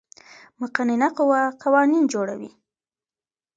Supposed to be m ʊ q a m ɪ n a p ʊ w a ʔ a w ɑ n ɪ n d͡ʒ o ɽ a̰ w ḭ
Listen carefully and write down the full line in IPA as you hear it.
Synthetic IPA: m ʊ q a n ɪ n a q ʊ w a q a w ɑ n i n d͡ʒ o ɽ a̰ w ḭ